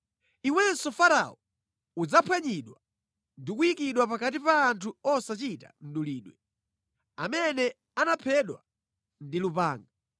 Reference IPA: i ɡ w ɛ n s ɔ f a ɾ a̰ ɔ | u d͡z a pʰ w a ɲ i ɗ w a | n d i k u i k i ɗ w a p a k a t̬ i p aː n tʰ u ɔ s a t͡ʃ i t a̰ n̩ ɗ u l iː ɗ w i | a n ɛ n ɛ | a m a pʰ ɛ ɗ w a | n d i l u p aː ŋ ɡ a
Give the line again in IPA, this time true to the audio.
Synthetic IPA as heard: i w ɛ n s ɔ f a ɾ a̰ ɔ | u d͡z a pʰ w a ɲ i ɗ w a | n d i k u i k i ɗ w a p a k a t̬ i p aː n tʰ u ɔ s a t͡ʃ i t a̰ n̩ ɗ u l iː ɗ w ɛ | a m ɛ n ɛ | a n a pʰ ɛ ɗ w a | n d i l u p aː ŋ ɡ a